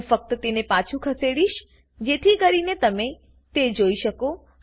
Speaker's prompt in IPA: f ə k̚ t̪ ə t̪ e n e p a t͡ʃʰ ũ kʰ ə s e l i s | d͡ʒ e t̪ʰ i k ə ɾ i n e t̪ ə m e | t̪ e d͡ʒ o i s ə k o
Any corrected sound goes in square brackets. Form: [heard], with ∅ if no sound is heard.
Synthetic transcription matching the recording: f ə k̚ t̪ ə t̪ e n e p a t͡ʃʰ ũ kʰ ə s e [ɽ] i [ʃ] | d͡ʒ e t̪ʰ i k ə ɾ i n e t̪ ə m e | t̪ e d͡ʒ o i [ʃ] ə k o